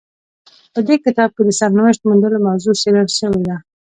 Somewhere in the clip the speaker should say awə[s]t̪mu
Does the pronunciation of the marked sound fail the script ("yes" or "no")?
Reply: yes